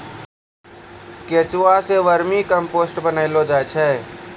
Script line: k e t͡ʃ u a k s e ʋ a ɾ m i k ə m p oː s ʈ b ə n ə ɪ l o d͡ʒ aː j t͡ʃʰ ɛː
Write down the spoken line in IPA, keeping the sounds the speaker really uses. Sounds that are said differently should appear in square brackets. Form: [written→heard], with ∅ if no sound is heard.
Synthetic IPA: k e t͡ʃ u a [k→∅] s e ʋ [a→ə] ɾ m i k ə m p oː s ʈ b ə n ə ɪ l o d͡ʒ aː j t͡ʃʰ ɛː